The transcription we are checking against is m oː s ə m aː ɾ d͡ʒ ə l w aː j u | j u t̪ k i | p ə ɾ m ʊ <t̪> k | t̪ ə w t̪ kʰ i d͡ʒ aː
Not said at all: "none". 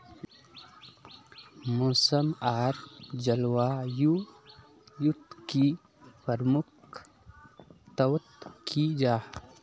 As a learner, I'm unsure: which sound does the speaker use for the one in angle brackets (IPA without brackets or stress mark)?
none